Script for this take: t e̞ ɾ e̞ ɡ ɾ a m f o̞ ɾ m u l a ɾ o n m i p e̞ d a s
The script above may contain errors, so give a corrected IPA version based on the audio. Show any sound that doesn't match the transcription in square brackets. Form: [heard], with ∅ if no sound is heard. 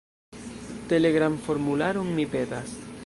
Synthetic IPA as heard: t e̞ [l] e̞ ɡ ɾ a m f o̞ ɾ m u l a ɾ o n m i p e̞ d a s